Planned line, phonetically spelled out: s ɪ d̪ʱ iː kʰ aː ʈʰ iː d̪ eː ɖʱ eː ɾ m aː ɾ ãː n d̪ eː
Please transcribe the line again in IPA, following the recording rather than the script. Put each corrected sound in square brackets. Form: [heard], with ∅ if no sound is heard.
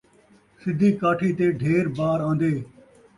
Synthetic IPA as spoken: s ɪ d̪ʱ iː [k] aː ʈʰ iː [t̪] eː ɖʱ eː ɾ [b] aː ɾ ãː n d̪ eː